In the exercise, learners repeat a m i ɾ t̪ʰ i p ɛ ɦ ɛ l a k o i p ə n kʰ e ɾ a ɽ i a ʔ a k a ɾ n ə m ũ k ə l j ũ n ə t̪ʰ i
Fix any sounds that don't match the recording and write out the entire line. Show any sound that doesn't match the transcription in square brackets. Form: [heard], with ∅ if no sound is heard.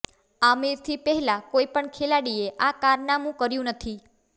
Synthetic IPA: a m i ɾ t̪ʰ i p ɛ ɦ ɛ l a k o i p ə [ɳ] kʰ e [l] a ɽ i [e] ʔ a k a ɾ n [a] m ũ k ə [ɾ] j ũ n ə t̪ʰ i

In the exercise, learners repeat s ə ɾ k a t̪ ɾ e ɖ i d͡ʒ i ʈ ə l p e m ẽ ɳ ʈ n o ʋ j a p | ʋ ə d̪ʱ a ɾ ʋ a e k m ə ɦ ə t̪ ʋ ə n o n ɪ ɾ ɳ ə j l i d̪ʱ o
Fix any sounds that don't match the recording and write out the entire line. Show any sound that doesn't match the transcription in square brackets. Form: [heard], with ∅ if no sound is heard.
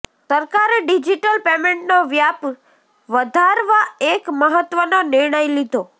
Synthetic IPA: s ə ɾ k a [∅] ɾ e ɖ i d͡ʒ i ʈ ə l p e m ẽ ɳ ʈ n o ʋ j a p | ʋ ə d̪ʱ a ɾ ʋ a e k m ə ɦ ə t̪ ʋ ə n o n ɪ ɾ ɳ ə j l i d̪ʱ o

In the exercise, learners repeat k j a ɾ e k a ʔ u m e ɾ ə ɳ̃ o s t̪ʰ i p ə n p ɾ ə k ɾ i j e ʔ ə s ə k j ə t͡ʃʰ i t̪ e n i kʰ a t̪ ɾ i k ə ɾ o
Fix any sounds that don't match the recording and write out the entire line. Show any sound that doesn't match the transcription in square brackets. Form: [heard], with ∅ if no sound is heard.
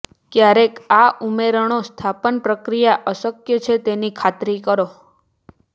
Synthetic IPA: k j a ɾ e k a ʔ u m e ɾ ə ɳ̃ o s t̪ʰ [a] p ə n p ɾ ə k ɾ i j [a] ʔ ə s ə k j ə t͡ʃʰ [e] t̪ e n i kʰ a t̪ ɾ i k ə ɾ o

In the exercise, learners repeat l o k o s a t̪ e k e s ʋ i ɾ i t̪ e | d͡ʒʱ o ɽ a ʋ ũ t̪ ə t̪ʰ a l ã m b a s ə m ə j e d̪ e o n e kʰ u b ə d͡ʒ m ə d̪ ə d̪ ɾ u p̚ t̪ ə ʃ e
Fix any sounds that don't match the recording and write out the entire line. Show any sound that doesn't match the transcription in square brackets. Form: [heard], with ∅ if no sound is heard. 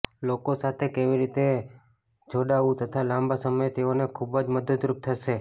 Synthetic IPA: l o k o s a [t̪ʰ] e k e [∅] ʋ i ɾ i t̪ e | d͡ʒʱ o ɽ a ʋ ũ t̪ ə t̪ʰ a l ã m b a s ə m ə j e [t̪] e o n e kʰ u b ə d͡ʒ m ə d̪ ə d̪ ɾ u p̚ [t̪ʰ] ə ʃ e

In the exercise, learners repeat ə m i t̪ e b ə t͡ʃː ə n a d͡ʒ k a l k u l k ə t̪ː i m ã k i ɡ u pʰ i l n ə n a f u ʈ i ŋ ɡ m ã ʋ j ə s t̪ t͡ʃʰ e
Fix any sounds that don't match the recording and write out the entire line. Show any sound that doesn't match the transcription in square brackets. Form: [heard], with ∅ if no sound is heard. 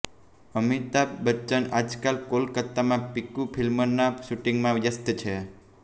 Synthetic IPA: ə m i t̪ [a] b ə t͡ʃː ə n a d͡ʒ k a l k [o] l k ə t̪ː [a] m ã [p] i [k] u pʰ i l [m] ə n a [ʃ] u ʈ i ŋ ɡ m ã ʋ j ə s t̪ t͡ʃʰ e

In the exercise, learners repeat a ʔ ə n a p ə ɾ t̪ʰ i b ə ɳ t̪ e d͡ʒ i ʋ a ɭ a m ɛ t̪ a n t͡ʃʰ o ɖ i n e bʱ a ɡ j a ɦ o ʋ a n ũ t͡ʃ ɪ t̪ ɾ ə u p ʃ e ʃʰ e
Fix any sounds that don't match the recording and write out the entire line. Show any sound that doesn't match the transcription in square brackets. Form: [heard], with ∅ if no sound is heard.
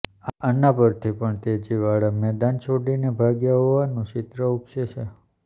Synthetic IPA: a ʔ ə n a p ə ɾ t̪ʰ i [p] ə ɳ t̪ e d͡ʒ i ʋ a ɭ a m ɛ [d̪] a n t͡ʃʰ o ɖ i n e bʱ a ɡ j a ɦ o ʋ a n ũ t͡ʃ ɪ t̪ ɾ ə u p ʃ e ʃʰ e

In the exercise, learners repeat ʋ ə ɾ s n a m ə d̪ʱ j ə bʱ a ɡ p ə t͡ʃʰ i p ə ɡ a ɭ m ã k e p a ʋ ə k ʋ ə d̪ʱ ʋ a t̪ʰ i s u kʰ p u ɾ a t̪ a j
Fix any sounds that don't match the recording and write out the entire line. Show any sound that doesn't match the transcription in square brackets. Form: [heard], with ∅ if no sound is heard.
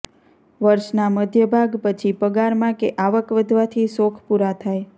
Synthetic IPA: ʋ ə ɾ [ʃ] n a m ə d̪ʱ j ə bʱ a ɡ p ə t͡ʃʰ i p ə ɡ a [ɾ] m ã k e [ʔ] a ʋ ə k ʋ ə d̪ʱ ʋ a t̪ʰ i s [o] kʰ p u ɾ a [t̪ʰ] a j

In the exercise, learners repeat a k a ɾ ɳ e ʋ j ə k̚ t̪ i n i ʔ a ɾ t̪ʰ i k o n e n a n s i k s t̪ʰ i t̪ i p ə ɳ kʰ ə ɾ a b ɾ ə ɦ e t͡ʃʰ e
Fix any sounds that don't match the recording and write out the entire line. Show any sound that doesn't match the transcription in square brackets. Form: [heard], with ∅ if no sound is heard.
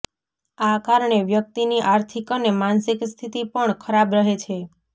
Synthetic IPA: a k a ɾ ɳ e ʋ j ə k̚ t̪ i n i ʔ a ɾ t̪ʰ i k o n e [m] a n s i k s t̪ʰ i t̪ i p ə ɳ kʰ ə ɾ a b ɾ ə ɦ e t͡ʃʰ e

